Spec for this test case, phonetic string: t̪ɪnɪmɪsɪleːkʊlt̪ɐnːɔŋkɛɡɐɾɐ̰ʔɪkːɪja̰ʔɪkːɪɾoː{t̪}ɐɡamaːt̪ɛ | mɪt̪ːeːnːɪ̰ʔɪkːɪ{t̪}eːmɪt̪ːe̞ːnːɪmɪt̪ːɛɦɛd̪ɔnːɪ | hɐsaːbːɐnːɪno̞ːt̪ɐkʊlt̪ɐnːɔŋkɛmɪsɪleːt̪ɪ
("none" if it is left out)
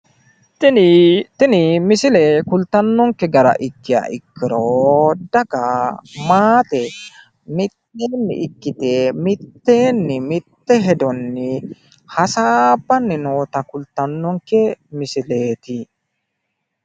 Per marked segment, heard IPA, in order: d̪, t̪

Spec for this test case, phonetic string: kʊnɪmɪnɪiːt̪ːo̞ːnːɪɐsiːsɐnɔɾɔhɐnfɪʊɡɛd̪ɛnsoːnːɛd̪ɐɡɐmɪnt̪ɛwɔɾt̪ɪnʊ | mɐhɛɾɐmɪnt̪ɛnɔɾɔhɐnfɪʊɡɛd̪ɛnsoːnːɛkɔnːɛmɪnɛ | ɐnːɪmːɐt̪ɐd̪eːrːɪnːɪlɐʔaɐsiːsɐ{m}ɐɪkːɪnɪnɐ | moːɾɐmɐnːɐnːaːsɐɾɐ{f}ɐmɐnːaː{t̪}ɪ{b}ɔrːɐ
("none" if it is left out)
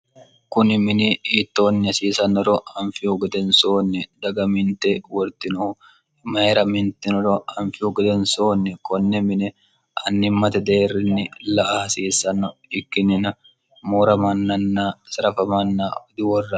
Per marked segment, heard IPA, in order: n, f, d̪, w

